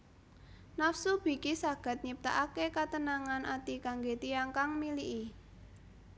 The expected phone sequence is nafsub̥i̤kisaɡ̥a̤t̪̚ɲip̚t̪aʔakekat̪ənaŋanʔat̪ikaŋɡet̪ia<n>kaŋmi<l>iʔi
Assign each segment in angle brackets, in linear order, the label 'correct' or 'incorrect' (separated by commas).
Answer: incorrect, correct